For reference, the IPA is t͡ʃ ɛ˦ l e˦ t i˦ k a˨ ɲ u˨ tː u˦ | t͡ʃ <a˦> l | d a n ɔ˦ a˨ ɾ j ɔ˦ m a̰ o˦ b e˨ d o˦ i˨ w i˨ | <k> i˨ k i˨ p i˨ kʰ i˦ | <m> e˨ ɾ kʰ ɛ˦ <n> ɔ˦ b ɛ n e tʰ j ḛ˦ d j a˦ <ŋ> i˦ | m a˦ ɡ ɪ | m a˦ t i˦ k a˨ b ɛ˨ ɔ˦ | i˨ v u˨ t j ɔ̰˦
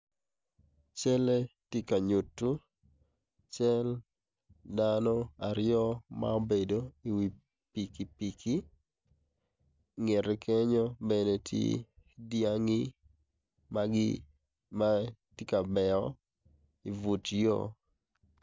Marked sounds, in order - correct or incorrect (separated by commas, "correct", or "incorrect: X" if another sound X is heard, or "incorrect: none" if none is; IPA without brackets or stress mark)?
incorrect: ɛ˦, incorrect: p, incorrect: ŋ, incorrect: ɲ, correct